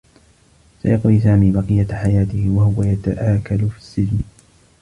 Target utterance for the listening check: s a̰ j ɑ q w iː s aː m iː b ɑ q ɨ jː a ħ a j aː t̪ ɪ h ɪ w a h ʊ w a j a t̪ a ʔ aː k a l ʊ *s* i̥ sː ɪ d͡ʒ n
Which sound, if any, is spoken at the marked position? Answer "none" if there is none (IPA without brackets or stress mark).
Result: f